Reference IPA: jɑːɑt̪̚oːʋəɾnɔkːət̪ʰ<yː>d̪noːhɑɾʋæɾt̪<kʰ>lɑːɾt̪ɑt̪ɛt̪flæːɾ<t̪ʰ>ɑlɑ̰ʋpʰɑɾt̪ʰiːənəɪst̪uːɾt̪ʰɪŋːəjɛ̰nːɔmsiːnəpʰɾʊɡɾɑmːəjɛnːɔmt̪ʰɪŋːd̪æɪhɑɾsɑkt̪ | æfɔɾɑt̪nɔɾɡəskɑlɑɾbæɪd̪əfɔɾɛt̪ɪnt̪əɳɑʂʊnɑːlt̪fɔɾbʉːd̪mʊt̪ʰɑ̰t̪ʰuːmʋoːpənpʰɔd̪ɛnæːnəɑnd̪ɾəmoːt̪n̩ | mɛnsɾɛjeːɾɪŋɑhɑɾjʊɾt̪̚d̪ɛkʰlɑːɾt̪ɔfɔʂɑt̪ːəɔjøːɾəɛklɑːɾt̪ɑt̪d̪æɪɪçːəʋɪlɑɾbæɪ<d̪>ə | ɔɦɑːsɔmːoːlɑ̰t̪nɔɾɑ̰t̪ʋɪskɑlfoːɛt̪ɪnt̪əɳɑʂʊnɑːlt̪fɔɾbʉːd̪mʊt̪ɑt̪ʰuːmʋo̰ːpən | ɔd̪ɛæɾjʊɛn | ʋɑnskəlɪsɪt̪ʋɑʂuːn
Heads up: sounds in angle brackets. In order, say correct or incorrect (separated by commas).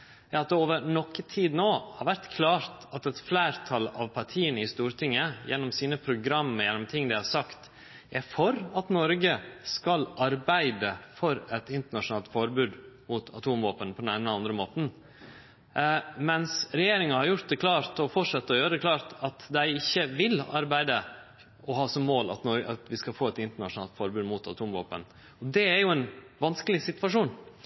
incorrect, correct, correct, correct